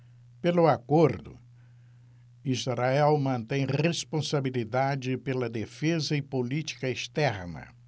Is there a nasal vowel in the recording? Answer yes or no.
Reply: yes